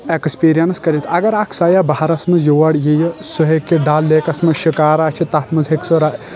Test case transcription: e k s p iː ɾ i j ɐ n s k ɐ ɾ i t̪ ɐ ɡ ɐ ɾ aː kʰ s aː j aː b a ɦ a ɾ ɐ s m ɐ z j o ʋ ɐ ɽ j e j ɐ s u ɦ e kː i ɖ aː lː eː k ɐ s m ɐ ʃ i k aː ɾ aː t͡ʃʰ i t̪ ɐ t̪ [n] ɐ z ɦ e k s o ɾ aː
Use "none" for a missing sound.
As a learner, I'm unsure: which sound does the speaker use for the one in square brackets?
m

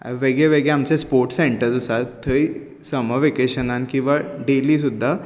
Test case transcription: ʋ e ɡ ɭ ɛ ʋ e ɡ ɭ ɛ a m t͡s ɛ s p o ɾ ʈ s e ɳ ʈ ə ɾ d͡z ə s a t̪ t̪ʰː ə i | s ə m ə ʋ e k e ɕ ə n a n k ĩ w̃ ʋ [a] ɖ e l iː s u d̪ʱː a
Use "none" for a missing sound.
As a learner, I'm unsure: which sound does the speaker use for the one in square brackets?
a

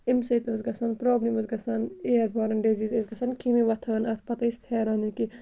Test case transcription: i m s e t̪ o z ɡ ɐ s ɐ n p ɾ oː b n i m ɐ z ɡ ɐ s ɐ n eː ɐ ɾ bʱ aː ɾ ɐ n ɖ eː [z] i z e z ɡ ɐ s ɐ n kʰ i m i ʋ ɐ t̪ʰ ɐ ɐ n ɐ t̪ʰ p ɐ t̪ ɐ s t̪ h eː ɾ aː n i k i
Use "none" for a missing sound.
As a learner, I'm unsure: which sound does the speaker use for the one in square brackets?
z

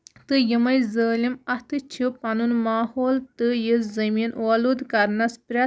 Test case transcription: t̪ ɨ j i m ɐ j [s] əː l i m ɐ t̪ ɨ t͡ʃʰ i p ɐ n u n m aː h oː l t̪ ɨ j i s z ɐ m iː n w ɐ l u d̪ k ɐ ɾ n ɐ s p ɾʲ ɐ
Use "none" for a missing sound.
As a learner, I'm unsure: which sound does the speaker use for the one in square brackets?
z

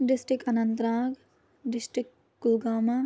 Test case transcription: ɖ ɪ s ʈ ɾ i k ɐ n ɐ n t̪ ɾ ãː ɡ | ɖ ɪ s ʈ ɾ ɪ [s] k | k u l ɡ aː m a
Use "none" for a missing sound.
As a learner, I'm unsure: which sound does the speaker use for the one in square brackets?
none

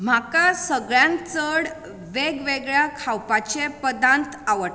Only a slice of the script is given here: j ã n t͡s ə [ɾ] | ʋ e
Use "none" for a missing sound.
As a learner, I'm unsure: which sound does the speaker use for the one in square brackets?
ɽ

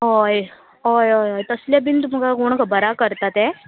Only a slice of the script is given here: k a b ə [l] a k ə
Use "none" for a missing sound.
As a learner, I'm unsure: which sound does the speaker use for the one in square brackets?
ɾ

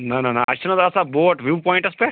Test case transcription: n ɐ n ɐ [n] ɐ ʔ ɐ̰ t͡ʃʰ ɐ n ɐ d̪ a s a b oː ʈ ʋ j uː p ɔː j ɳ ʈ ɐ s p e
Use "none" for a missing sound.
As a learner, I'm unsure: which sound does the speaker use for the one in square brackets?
n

